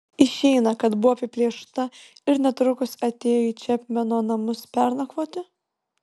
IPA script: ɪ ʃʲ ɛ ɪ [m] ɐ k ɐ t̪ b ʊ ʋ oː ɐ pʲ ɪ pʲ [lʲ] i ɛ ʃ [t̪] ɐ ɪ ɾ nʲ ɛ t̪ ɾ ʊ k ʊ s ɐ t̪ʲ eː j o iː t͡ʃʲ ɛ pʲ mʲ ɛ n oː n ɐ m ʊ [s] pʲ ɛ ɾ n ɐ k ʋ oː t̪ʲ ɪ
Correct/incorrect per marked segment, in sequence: incorrect, correct, correct, correct

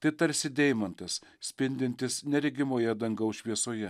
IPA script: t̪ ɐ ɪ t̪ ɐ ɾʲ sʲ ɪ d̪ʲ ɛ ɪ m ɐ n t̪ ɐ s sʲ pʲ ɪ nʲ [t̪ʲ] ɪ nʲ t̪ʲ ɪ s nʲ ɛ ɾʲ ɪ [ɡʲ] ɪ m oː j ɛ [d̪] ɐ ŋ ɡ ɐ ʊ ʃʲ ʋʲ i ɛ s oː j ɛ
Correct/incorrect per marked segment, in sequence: incorrect, correct, correct

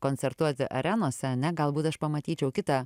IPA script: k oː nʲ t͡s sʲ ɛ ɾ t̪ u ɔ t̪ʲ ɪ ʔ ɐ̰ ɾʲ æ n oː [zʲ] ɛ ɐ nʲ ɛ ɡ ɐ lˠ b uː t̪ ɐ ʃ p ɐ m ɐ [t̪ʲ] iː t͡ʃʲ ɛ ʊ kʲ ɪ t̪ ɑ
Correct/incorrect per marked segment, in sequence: incorrect, correct

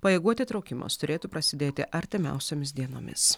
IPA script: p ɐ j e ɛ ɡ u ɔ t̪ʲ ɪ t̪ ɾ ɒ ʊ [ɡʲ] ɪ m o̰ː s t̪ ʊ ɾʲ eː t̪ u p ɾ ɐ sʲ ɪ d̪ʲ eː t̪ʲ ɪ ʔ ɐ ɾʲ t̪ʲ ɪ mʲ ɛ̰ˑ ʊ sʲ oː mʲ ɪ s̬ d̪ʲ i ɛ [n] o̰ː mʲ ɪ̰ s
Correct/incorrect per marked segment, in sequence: incorrect, correct

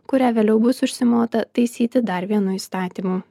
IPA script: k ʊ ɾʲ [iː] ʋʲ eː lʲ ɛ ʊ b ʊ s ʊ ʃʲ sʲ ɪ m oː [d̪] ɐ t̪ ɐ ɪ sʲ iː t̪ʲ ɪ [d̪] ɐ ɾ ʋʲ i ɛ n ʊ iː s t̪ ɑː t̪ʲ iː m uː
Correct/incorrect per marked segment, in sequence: incorrect, incorrect, correct

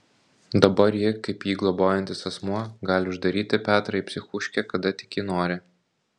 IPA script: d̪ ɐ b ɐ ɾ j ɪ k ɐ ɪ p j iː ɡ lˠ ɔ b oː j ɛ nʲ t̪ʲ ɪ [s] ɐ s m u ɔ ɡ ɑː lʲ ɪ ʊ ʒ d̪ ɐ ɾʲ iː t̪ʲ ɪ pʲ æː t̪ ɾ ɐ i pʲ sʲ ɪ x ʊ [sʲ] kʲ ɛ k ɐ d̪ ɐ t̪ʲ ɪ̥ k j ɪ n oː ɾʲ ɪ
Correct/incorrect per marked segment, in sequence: correct, incorrect

